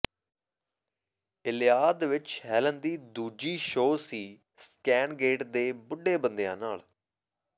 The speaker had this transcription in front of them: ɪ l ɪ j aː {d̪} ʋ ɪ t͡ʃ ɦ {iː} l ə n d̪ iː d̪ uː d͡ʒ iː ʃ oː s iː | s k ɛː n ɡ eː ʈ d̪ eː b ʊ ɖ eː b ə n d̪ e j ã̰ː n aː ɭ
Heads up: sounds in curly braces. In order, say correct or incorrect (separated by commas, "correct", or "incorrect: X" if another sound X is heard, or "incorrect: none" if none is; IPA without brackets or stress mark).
correct, incorrect: ɛː